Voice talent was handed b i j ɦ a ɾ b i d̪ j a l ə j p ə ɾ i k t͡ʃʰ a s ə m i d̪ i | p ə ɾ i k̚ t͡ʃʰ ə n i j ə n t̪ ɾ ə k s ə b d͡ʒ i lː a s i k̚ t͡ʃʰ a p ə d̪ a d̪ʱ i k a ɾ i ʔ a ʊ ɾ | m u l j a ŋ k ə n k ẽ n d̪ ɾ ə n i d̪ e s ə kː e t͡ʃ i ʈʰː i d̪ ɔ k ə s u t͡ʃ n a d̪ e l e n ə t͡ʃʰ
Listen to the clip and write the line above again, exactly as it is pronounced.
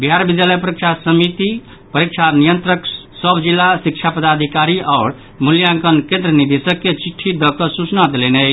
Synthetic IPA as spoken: b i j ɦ a ɾ b i d̪ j a l ə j p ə ɾ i k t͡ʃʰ a s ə m i t̪ i | p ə ɾ i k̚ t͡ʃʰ a n i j ə n t̪ ɾ ə k s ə b d͡ʒ i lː a s i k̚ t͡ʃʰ a p ə d̪ a d̪ʱ i k a ɾ i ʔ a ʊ ɾ | m u l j a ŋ k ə n k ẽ n d̪ ɾ ə n i d̪ e s ə kː e t͡ʃ i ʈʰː i d̪ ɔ k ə s u t͡ʃ n a d̪ e l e n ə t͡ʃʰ